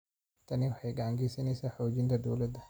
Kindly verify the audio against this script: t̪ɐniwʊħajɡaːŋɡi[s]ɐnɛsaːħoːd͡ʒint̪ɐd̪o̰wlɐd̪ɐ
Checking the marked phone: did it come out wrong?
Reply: no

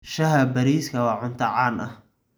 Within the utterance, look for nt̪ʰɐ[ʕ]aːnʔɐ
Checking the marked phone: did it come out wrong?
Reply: no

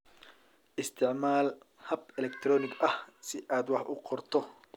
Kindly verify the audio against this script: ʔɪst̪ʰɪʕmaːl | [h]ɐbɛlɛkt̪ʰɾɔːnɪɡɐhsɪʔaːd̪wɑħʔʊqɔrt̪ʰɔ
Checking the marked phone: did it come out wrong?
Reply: no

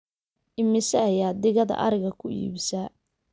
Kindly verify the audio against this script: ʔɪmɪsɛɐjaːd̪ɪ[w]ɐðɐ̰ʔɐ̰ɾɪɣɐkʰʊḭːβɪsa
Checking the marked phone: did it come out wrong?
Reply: yes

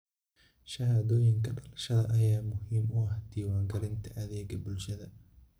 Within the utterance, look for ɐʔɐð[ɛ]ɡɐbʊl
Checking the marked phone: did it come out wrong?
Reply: yes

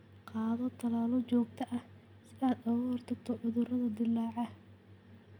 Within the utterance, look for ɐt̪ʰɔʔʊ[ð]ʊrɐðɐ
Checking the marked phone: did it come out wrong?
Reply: no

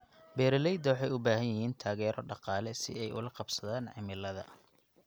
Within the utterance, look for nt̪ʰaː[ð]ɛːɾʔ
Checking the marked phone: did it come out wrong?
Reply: yes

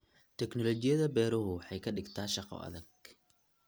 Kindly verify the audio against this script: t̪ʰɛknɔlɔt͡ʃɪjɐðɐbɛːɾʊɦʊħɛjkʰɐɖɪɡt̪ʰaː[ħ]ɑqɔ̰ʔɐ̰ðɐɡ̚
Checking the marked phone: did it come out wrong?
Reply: yes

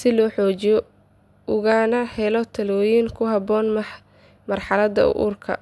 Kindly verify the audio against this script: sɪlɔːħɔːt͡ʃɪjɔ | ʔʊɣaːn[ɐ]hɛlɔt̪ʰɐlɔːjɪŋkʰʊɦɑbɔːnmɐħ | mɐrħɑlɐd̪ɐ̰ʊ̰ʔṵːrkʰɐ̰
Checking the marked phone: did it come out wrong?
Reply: no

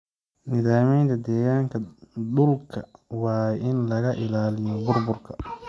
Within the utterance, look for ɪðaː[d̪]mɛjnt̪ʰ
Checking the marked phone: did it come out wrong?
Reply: yes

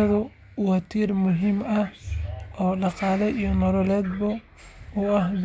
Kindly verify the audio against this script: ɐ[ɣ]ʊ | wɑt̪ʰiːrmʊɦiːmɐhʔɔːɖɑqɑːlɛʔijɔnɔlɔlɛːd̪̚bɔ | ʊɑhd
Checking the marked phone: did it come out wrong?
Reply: yes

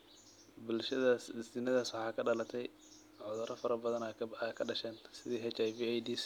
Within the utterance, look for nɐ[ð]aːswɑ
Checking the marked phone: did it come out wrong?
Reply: no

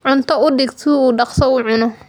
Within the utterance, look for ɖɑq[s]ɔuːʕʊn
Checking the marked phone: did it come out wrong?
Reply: no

